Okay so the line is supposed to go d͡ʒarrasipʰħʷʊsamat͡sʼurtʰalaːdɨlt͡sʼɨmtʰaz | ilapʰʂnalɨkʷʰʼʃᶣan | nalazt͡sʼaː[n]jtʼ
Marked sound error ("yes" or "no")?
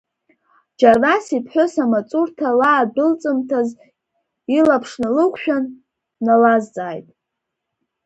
yes